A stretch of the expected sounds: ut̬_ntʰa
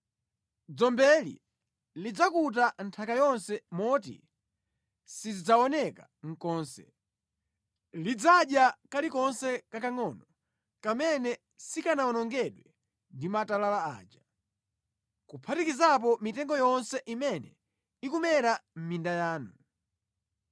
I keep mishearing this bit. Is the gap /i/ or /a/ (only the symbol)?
a